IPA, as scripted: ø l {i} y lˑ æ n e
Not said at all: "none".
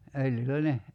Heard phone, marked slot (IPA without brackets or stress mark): j